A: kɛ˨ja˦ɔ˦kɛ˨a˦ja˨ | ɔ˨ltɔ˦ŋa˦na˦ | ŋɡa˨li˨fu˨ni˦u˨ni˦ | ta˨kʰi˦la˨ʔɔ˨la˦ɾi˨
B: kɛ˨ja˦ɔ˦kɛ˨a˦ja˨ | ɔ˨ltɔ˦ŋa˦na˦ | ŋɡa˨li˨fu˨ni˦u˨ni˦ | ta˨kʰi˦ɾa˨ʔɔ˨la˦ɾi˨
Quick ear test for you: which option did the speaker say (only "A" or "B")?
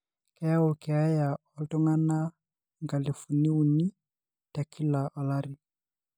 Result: A